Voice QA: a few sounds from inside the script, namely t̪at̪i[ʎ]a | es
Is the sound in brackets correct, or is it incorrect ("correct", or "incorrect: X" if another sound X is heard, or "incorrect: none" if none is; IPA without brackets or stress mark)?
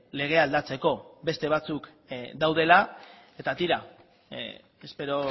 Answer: incorrect: ɾ